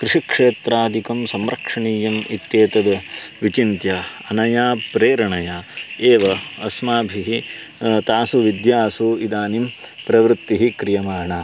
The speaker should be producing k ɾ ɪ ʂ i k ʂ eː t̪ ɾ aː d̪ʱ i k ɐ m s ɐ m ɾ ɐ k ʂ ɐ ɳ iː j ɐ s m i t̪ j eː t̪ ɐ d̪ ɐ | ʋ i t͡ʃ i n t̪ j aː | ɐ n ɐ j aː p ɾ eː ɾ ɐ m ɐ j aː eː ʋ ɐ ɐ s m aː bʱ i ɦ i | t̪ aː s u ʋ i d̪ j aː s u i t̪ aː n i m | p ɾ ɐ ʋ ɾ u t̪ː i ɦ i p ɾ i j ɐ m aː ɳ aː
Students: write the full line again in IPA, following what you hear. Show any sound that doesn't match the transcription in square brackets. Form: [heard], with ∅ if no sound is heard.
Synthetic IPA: k ɾ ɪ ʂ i k ʂ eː t̪ ɾ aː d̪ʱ i k ɐ m s ɐ m ɾ ɐ k ʂ ɐ ɳ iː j ɐ [∅] m i t̪ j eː t̪ ɐ d̪ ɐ | ʋ i t͡ʃ i n t̪ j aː | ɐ n ɐ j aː p ɾ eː ɾ ɐ [ɳ] ɐ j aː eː ʋ ɐ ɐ s m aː bʱ i ɦ i | t̪ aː s u ʋ i d̪ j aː s u i [d̪] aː n i m | p ɾ ɐ ʋ ɾ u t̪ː i ɦ i [k] ɾ i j ɐ m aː ɳ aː